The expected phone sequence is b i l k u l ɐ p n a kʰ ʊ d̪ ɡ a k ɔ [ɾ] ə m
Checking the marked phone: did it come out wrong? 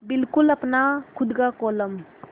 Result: yes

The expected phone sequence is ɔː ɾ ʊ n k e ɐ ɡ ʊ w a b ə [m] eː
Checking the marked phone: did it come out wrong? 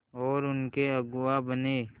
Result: yes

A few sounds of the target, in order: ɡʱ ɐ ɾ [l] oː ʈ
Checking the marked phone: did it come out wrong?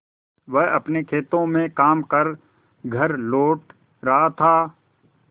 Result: no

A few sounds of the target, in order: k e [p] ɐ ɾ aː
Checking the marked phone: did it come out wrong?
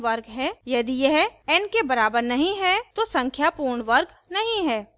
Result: yes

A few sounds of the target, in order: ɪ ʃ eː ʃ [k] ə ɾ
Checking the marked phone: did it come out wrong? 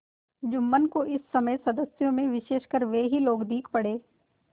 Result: no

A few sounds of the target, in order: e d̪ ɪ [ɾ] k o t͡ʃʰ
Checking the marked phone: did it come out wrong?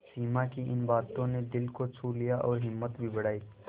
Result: yes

